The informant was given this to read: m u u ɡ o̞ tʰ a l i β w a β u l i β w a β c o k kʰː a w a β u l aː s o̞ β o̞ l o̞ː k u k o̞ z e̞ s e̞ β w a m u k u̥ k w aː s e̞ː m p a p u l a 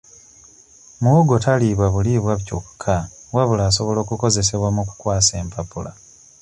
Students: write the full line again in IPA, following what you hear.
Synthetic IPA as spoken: m u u ɡ o̞ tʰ a l i β w a β u l i β w a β c o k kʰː a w a β u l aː s o̞ β o̞ l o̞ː k u k o̞ z e̞ s e̞ β w a m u k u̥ k w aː s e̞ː m p a p u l a